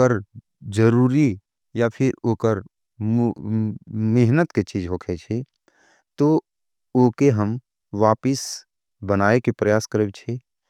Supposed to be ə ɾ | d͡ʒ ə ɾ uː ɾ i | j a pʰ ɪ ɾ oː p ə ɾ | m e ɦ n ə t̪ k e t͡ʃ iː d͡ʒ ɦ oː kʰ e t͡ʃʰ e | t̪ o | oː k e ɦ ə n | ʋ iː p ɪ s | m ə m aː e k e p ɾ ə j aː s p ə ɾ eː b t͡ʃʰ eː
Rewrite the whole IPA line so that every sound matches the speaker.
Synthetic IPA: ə ɾ | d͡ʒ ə ɾ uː ɾ i | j a pʰ ɪ ɾ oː k ə ɾ | m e ɦ n ə t̪ k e t͡ʃ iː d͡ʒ ɦ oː kʰ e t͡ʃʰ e | t̪ o | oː k e ɦ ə m | ʋ aː p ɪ s | b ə n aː e k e p ɾ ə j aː s k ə ɾ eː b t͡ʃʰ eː